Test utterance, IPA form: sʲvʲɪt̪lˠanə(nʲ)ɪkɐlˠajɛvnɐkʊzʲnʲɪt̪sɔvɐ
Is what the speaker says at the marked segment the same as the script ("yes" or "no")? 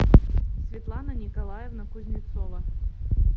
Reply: yes